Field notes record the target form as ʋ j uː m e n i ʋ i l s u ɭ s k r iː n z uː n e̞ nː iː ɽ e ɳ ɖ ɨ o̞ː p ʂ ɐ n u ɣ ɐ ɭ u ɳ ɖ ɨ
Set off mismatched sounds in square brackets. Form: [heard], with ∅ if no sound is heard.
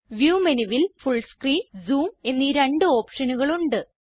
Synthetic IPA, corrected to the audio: ʋ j uː m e n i ʋ i l [f] u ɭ s k r iː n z uː [m] e̞ nː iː [ɾ] e ɳ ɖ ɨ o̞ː p ʂ ɐ n u ɣ ɐ ɭ u ɳ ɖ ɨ